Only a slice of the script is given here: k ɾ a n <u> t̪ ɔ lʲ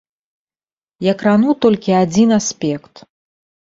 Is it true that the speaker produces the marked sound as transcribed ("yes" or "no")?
yes